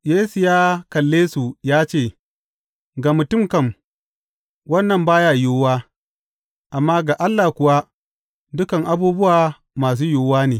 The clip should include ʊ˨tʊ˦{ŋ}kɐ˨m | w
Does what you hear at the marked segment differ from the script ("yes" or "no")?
yes